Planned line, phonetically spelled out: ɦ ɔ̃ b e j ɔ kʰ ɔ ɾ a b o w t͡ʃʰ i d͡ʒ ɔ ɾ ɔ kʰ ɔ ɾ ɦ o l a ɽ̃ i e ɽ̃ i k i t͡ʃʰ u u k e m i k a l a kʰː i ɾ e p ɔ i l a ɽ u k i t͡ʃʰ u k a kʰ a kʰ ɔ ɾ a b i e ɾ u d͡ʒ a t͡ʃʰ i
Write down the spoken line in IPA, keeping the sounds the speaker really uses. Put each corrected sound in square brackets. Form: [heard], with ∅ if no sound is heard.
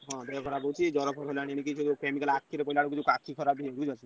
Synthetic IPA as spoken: ɦ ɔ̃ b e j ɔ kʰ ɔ ɾ a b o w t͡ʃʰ i d͡ʒ ɔ ɾ ɔ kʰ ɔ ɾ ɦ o l a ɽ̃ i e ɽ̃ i k i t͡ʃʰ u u k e m i k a l a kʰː i ɾ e p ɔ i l a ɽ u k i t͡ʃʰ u k a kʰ [i] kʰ ɔ ɾ a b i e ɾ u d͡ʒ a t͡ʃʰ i